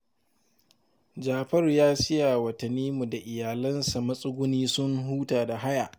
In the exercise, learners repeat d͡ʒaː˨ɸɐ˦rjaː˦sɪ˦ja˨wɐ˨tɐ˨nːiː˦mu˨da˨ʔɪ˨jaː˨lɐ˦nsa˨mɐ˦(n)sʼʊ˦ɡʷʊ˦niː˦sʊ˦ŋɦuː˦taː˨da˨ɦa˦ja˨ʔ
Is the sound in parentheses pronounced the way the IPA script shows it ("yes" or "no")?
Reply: no